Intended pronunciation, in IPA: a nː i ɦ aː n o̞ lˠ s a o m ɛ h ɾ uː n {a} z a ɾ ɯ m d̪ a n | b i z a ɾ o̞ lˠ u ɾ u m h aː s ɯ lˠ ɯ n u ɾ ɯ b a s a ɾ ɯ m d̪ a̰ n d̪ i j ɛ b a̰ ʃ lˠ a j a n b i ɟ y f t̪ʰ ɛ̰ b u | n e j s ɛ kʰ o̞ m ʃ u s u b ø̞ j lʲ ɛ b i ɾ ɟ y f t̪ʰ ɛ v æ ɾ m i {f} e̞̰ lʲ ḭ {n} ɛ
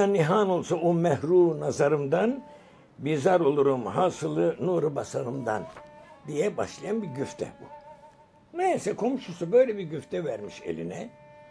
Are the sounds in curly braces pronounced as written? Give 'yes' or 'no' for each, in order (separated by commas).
yes, no, yes